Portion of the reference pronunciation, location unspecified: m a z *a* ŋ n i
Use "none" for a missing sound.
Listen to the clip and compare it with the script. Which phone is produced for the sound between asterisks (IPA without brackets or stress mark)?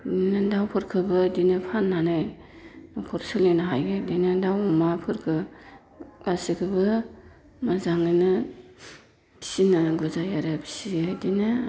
a